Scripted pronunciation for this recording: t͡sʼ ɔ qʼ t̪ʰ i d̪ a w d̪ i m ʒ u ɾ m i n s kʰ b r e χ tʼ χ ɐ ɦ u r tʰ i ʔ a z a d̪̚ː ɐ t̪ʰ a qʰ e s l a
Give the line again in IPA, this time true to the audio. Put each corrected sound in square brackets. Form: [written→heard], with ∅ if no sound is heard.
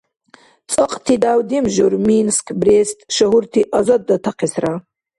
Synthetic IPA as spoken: t͡sʼ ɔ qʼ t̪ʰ i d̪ a w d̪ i m ʒ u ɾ m i n s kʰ b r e [χ→s] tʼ [χ→ʃ] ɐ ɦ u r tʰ i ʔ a z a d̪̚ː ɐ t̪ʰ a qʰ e s [l→r] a